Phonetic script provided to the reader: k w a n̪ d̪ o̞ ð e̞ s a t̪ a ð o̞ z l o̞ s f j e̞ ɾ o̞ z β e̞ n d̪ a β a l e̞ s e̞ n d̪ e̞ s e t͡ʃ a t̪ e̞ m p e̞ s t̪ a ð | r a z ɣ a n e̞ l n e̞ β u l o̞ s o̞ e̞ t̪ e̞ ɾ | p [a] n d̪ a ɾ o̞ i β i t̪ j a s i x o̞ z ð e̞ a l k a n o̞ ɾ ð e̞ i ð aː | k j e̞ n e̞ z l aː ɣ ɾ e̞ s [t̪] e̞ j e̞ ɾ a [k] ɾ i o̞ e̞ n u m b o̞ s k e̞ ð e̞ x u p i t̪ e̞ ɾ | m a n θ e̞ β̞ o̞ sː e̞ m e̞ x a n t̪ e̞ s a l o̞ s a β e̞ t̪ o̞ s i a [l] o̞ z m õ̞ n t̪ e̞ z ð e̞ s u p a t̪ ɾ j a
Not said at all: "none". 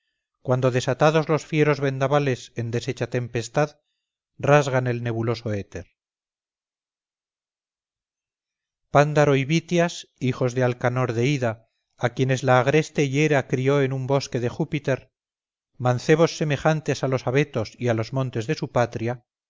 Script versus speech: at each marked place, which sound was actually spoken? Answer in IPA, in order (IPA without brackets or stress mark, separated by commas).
a, t̪, k, l